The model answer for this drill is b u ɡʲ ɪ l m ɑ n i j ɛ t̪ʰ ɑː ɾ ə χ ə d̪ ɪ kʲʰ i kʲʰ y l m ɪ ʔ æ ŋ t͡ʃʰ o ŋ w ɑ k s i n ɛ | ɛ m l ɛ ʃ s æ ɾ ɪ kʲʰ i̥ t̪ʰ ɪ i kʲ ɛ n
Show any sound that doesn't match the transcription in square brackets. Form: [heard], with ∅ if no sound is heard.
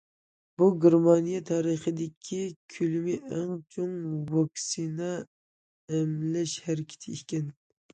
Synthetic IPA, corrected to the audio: b u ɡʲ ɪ [ɾ] m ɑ n i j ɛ t̪ʰ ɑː ɾ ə χ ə d̪ ɪ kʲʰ i kʲʰ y l m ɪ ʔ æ ŋ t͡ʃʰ o ŋ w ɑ k s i n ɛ | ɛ m l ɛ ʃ [h] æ ɾ ɪ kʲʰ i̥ t̪ʰ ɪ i kʲ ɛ n